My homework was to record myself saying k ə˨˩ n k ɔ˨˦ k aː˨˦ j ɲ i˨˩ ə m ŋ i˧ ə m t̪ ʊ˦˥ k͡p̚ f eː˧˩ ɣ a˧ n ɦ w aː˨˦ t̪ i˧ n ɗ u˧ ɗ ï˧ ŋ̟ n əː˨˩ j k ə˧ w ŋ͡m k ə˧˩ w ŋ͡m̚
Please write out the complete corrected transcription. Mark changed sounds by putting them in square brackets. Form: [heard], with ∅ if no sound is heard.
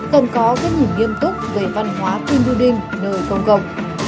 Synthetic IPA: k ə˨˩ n k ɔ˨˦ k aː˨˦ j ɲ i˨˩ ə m ŋ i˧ ə m t̪ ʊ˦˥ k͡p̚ [v] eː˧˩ [v] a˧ n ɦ w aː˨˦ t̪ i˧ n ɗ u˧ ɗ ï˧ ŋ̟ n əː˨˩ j k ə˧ w ŋ͡m k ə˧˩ w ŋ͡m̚